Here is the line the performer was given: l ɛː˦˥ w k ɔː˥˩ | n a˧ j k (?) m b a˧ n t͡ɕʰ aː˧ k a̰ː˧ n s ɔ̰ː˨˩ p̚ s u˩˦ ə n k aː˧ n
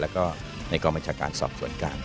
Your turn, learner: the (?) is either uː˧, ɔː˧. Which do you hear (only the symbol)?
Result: ɔː˧